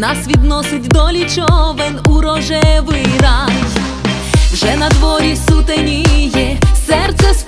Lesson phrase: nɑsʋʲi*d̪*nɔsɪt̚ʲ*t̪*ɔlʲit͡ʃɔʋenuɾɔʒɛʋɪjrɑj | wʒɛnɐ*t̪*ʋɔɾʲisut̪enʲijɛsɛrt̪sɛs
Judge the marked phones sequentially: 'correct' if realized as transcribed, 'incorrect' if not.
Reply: correct, incorrect, incorrect

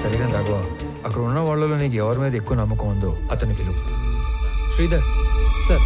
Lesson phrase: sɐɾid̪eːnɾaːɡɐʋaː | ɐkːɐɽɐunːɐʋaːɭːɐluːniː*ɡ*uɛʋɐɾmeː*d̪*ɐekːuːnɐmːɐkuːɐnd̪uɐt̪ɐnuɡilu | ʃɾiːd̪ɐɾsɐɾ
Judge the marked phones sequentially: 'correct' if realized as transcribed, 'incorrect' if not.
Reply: correct, correct

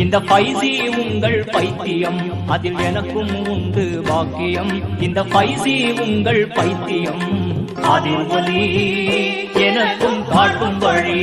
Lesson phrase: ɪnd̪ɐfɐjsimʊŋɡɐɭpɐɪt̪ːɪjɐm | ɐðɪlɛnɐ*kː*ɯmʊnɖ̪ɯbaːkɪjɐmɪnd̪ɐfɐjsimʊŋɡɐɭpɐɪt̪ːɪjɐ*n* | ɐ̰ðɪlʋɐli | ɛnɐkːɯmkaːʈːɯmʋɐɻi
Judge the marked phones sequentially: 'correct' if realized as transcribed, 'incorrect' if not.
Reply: correct, incorrect

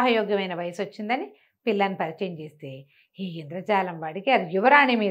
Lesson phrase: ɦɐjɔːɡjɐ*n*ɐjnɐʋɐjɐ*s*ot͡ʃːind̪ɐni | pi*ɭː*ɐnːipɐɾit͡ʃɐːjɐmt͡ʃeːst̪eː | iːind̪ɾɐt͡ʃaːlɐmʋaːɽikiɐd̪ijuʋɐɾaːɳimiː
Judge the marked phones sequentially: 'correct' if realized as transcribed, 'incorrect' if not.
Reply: incorrect, correct, incorrect

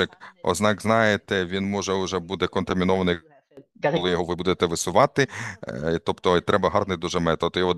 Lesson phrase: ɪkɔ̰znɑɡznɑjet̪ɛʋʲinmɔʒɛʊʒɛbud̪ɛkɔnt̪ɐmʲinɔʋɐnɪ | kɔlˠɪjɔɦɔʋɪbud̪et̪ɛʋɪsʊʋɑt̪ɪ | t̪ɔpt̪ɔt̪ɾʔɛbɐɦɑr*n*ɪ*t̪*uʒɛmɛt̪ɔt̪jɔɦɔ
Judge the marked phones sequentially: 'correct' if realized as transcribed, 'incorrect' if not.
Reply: correct, incorrect

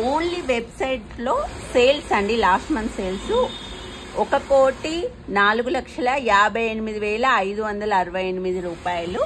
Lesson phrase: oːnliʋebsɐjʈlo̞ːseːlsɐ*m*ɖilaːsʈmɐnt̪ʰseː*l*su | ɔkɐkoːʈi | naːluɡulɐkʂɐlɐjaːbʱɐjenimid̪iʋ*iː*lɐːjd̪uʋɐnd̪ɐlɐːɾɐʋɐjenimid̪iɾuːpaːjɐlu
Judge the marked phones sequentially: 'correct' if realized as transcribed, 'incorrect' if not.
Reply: incorrect, correct, incorrect

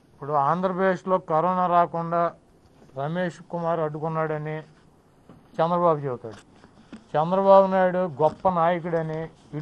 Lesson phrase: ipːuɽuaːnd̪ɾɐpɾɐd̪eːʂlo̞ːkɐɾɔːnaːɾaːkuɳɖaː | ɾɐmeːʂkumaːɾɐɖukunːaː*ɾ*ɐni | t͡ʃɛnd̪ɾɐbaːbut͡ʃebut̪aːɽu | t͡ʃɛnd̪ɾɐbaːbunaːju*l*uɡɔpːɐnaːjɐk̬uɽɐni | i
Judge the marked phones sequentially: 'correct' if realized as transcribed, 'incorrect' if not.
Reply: incorrect, incorrect

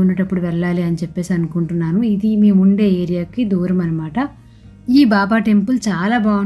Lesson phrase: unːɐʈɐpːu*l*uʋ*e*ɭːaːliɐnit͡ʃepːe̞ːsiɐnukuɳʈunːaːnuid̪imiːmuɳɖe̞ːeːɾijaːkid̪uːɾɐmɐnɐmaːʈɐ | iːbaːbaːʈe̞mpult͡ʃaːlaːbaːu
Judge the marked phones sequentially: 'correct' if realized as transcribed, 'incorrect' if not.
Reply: incorrect, incorrect

